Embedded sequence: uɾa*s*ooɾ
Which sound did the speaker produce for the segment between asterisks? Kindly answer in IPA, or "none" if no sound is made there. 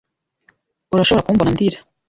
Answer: ʃ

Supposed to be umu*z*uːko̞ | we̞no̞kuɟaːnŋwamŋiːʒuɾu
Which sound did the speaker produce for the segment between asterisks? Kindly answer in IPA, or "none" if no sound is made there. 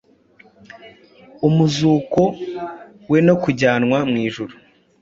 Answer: z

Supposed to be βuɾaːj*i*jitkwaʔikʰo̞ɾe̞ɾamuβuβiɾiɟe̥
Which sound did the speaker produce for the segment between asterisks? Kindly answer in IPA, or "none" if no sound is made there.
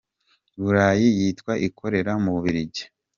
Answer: i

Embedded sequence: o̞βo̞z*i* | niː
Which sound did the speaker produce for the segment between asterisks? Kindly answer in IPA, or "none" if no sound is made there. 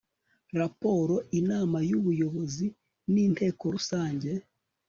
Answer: i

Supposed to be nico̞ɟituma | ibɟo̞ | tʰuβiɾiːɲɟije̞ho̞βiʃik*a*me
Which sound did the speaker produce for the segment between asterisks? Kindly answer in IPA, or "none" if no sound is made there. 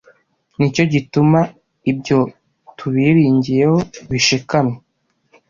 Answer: a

